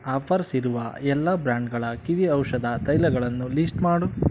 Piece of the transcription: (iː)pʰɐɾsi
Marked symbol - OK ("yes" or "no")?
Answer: no